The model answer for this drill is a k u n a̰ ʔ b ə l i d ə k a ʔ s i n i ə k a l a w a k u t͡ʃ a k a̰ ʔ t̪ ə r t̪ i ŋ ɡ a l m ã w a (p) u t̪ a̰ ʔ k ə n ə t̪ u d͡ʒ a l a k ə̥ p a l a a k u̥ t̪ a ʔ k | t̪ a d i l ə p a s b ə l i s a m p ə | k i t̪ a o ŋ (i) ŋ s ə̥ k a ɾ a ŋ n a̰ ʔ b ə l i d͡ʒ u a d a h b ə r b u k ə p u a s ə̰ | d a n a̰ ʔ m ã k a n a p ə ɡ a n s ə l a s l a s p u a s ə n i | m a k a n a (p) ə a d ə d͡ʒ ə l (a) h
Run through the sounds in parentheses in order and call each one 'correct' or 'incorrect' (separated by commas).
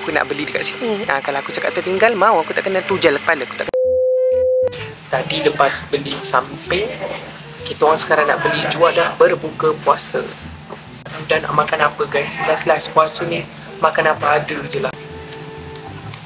incorrect, incorrect, correct, correct